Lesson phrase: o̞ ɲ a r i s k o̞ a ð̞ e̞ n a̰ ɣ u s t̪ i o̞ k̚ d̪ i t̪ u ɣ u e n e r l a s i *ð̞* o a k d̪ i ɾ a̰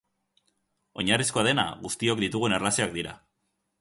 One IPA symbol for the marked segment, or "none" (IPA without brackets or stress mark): none